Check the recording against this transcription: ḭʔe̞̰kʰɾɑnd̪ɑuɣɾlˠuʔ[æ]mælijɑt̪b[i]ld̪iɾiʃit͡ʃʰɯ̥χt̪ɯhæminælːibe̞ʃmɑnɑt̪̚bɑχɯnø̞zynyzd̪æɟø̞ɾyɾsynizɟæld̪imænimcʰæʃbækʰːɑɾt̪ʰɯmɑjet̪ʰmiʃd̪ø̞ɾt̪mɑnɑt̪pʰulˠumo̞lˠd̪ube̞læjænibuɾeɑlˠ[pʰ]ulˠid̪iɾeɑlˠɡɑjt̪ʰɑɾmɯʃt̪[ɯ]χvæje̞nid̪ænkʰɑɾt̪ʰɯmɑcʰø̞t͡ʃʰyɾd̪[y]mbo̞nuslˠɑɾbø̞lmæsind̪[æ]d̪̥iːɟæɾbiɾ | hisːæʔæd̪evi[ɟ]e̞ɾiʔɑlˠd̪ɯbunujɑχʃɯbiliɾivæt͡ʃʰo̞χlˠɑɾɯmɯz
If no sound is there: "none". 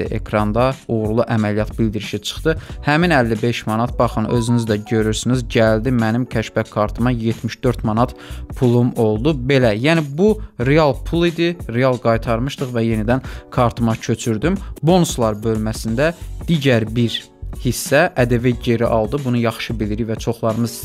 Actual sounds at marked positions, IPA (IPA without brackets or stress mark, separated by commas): æ, i, pʰ, ɯ, y, æ, ɟ